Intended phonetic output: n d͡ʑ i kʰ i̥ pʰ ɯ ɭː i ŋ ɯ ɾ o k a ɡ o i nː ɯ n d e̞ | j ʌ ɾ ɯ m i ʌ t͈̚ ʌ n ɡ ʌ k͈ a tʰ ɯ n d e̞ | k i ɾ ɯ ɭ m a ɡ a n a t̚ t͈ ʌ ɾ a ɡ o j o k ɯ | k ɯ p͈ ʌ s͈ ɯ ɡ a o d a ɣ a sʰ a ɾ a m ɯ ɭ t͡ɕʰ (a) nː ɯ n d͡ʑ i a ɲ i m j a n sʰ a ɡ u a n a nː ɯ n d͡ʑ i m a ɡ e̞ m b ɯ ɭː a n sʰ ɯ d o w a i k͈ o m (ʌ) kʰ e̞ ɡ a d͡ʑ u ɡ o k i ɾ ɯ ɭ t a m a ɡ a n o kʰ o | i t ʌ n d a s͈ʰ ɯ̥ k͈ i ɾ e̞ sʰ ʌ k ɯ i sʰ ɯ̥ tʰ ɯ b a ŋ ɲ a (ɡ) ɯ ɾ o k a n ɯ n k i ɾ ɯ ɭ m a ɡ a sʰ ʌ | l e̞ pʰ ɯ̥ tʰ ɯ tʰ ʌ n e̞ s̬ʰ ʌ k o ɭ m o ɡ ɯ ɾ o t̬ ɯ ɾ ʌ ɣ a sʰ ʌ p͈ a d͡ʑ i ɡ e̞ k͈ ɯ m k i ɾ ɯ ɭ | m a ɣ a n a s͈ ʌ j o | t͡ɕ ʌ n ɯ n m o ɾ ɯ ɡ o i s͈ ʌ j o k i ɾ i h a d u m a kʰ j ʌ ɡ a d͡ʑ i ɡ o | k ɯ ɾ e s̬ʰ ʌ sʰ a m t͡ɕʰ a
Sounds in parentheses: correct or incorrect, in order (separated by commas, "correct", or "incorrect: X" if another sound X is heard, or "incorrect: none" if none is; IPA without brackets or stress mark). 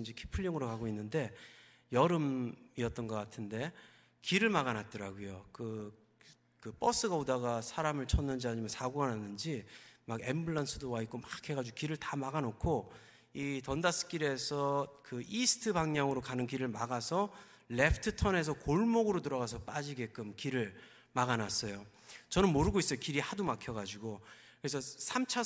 incorrect: ʌ, incorrect: a, incorrect: ŋ